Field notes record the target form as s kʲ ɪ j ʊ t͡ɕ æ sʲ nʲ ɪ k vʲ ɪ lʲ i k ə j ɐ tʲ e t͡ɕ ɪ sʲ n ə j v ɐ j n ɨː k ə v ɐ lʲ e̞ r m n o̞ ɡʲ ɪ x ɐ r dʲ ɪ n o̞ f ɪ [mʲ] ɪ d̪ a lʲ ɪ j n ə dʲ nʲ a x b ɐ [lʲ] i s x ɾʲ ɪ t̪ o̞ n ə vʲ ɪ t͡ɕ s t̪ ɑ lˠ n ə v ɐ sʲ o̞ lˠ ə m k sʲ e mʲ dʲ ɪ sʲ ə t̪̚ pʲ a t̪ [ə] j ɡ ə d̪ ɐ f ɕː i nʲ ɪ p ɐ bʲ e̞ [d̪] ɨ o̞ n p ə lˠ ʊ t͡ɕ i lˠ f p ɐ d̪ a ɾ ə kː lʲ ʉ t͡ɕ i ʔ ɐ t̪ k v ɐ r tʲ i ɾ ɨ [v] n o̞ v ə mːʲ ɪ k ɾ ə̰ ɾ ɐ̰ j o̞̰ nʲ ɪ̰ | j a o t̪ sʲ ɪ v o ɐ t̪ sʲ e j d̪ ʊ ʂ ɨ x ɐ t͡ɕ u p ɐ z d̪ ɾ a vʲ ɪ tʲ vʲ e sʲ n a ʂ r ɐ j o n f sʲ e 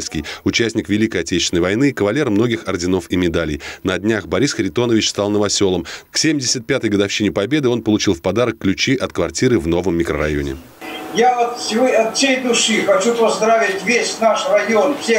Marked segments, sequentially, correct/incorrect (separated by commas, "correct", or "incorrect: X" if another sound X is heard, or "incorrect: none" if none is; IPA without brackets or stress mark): correct, incorrect: ɾʲ, correct, correct, correct